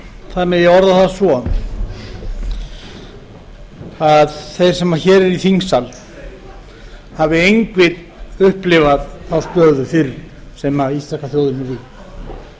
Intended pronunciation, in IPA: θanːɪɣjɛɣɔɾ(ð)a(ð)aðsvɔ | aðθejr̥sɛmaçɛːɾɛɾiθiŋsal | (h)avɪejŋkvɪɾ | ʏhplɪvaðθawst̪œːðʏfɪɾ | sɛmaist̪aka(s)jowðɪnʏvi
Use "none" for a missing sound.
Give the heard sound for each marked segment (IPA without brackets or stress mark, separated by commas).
ð, θ, h, θ